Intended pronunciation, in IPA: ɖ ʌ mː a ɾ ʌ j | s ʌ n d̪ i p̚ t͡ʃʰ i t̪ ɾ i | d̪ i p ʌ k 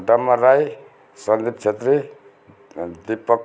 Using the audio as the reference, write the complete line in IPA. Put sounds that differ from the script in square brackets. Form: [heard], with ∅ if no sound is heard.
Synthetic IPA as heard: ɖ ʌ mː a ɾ [a] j | s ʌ n d̪ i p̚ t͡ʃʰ [e] t̪ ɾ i | d̪ i p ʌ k